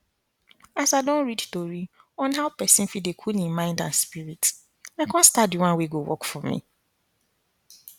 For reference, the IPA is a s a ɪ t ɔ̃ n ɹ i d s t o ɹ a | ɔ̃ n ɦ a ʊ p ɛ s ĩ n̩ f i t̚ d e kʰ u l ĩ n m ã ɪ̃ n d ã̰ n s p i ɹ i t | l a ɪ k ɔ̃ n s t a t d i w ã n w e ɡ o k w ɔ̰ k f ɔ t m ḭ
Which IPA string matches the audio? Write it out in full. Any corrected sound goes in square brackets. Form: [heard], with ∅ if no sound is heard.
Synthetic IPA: a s a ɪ [d] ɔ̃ n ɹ i d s t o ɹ [i] | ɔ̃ n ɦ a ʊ p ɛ s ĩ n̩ f i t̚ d e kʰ u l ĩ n m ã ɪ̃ n d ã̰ n s p i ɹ i t | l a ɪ k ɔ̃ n s t a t d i w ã n w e ɡ o [∅] w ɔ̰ k f ɔ [∅] m ḭ